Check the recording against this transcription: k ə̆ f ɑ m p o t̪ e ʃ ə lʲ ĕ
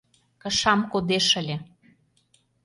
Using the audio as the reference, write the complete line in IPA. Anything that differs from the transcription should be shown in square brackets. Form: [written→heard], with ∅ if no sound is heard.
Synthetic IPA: k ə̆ [f→ʃ] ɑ m [p→k] o [t̪→d̪] e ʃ ə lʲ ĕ